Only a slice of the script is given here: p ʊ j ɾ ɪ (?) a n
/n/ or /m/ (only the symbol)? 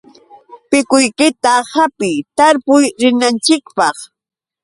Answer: n